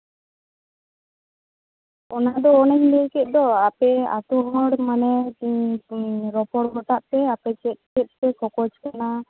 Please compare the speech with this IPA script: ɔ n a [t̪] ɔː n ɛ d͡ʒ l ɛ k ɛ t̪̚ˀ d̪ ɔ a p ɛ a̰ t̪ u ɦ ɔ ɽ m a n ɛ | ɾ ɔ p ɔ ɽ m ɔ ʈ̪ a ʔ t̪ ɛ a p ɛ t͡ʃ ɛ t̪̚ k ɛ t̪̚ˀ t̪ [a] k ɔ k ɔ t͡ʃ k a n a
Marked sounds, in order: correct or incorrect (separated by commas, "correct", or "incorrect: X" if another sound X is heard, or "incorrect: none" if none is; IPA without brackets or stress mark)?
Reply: incorrect: d̪, incorrect: ɛ